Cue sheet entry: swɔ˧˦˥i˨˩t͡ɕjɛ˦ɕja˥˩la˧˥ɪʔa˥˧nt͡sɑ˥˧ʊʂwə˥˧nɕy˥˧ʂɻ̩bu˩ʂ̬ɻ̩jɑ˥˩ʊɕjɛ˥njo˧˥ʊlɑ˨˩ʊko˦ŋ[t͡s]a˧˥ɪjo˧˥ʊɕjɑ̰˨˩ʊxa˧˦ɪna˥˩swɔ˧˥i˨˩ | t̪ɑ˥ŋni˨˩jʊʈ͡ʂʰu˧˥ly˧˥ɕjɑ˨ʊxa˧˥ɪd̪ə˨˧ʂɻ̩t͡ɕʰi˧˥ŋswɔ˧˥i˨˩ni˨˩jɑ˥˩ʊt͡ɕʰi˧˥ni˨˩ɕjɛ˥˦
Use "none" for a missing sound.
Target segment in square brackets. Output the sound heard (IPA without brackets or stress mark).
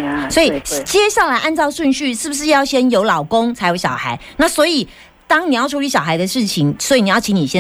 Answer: t͡sʰ